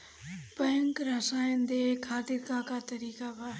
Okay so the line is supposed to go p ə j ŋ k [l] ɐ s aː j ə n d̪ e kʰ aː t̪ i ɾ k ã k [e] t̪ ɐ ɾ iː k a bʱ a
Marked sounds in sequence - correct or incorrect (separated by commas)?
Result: incorrect, incorrect